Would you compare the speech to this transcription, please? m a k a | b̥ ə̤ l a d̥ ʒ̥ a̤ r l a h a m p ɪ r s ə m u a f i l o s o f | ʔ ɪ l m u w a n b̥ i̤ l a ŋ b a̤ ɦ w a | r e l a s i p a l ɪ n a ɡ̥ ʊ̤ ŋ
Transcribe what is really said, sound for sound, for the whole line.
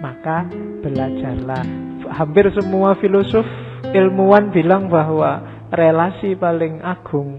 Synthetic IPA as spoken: m a k a | b̥ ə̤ l a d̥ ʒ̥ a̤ r l a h a m p ɪ r s ə m u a f i l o s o f | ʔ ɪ l m u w a n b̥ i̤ l a ŋ b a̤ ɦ w a | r e l a s i p a l ɪ ŋ a ɡ̥ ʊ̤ ŋ